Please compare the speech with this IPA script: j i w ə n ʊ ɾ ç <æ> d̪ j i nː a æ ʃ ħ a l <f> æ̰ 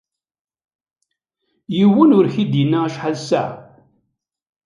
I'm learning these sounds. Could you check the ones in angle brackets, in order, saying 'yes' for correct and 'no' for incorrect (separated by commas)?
no, no